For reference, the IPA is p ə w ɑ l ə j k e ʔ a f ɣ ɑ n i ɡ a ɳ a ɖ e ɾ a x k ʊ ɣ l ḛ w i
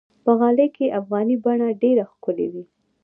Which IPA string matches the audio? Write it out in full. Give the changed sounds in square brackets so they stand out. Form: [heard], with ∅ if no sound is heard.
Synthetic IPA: p ə [ɣ] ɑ l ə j k e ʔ a f ɣ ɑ n i [b] a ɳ a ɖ e ɾ a x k ʊ [∅] l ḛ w i